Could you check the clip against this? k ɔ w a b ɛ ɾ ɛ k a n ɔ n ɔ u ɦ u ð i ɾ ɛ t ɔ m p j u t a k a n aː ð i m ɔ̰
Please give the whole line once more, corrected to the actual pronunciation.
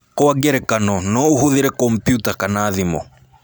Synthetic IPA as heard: k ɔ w a ɡ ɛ ɾ ɛ k a n ɔ n ɔ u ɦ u ð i ɾ ɛ k ɔ m p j u t a k a n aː ð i m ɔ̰